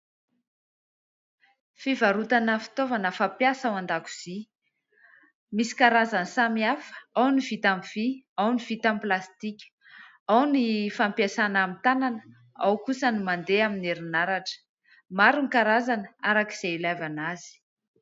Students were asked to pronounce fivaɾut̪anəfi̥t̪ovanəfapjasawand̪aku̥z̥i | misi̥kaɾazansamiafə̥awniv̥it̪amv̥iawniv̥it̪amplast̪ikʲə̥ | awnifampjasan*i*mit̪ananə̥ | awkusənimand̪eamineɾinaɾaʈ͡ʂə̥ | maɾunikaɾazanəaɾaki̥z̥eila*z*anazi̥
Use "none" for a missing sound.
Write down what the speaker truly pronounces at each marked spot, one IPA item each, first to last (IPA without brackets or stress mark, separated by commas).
a, v